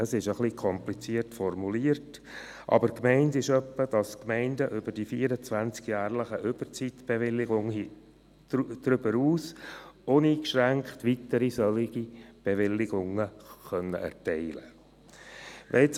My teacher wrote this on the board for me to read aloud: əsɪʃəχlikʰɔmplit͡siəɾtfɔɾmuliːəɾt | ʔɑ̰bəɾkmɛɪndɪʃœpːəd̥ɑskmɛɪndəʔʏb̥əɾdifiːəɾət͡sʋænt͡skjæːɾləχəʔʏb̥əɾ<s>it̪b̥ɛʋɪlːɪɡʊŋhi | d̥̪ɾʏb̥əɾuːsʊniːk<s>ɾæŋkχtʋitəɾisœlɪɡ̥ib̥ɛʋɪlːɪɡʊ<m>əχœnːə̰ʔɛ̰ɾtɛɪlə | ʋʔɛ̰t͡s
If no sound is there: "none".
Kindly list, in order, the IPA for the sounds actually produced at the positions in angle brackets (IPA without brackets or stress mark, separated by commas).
t͡s, ʃ, ŋ